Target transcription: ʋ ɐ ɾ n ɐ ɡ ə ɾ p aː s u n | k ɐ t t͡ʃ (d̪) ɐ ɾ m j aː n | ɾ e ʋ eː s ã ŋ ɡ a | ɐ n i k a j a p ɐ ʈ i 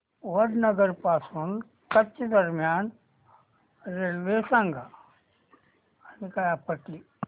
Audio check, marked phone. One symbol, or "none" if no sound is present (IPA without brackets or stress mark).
d̪